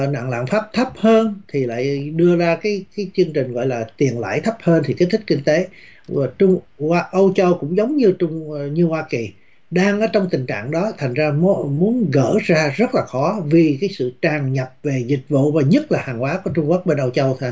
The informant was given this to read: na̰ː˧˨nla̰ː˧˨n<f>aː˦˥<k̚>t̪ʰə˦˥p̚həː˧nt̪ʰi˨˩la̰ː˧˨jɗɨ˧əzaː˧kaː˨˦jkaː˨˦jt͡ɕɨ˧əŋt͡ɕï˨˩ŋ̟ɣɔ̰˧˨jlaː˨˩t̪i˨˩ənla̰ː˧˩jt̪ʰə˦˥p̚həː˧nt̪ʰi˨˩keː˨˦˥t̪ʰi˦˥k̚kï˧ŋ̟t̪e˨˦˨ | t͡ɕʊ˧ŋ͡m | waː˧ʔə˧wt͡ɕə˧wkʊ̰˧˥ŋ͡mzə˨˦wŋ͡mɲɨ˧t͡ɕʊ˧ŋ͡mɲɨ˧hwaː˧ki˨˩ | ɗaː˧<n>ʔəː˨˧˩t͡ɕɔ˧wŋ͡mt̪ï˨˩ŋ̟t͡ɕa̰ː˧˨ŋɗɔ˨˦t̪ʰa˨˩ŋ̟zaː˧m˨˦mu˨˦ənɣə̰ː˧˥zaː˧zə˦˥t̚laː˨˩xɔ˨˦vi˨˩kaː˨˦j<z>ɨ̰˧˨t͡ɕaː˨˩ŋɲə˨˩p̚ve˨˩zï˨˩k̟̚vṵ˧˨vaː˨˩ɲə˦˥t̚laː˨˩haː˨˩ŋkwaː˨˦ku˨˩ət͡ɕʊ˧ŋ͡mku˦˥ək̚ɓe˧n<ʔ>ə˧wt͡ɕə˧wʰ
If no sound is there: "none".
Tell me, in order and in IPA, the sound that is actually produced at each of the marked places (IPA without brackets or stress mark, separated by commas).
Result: f, p̚, ŋ, s, ʔ